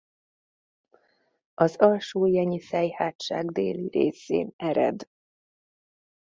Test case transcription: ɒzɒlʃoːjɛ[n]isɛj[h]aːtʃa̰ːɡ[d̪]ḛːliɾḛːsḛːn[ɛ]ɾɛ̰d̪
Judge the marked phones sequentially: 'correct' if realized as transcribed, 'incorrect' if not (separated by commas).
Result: incorrect, correct, correct, correct